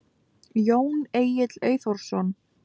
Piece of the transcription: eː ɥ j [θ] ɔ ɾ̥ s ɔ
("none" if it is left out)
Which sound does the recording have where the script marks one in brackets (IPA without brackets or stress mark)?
θ